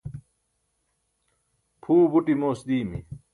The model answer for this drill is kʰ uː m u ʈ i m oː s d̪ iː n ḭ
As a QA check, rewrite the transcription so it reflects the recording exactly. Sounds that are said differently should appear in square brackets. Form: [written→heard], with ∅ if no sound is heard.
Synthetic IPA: [kʰ→pʰ] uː [m→b] u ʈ i m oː s d̪ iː [n→m] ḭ